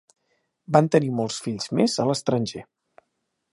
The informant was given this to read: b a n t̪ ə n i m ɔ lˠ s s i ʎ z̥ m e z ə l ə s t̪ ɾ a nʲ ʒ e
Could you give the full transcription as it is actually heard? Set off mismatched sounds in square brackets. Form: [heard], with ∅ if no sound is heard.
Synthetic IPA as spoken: b a n t̪ ə n i m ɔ lˠ s [f] i ʎ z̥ m e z ə l ə s t̪ ɾ [ə] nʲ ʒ e